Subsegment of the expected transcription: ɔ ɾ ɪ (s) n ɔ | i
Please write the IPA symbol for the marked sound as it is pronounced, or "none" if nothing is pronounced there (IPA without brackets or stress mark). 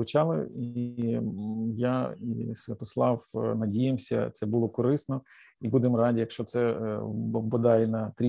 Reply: s